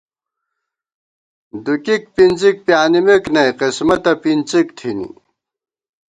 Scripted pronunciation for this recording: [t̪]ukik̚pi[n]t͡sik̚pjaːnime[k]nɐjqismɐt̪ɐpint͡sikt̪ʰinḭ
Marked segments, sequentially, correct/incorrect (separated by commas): incorrect, correct, correct